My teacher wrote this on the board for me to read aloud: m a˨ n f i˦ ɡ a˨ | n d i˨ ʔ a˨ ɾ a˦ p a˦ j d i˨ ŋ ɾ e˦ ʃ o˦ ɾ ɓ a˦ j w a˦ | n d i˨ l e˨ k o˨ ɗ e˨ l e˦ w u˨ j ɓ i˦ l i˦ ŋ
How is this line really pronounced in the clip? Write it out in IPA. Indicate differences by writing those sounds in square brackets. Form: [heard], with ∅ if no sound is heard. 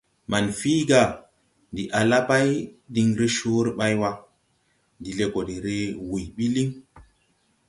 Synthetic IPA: m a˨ n f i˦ ɡ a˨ | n d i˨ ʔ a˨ [l] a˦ p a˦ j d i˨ ŋ ɾ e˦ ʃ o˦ ɾ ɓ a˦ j w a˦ | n d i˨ l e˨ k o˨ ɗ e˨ [ɾ] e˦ w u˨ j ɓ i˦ l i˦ ŋ